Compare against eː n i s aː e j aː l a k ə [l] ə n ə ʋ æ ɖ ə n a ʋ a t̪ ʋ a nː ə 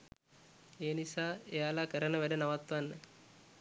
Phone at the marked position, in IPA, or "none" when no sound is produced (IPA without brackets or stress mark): ɾ